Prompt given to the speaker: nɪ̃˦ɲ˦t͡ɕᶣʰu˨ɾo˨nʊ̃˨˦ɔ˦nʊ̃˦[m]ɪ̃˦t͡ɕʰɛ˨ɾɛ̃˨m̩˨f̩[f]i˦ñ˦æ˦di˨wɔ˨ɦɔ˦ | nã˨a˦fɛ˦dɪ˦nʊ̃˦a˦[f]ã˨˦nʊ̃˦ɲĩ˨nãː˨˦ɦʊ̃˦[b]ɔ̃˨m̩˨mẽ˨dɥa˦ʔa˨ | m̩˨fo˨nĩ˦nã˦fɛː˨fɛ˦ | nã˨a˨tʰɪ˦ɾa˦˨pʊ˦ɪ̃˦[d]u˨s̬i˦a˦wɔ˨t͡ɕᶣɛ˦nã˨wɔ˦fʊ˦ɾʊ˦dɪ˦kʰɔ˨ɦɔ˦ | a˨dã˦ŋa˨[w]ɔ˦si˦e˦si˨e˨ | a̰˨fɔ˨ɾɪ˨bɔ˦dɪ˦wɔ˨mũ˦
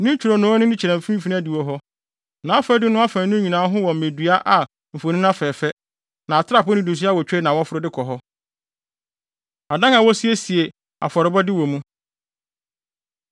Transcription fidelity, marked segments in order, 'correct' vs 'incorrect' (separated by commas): incorrect, correct, correct, incorrect, correct, correct